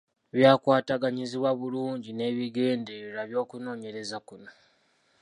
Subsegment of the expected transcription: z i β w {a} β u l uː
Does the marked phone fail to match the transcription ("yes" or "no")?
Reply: no